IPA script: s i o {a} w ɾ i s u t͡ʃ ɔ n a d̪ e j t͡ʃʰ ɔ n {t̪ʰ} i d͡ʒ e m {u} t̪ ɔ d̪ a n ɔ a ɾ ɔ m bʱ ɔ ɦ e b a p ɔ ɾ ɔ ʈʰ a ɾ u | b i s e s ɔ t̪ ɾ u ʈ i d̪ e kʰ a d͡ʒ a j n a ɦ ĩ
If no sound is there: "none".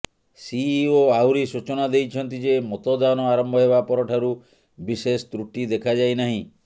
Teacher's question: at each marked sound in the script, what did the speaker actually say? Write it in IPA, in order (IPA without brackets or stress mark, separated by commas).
a, t̪, ɔ